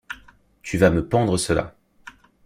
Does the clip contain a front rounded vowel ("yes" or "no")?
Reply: yes